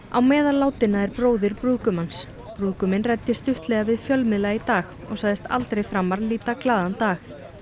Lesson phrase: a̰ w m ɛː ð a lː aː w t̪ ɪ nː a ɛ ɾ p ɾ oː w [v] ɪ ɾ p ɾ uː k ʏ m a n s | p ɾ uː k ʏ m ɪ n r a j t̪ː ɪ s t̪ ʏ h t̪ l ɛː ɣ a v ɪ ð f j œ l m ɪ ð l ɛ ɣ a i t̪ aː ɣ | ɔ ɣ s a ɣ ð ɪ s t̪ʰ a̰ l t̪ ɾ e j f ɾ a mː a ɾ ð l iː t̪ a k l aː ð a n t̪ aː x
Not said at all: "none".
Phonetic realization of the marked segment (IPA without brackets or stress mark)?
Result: ð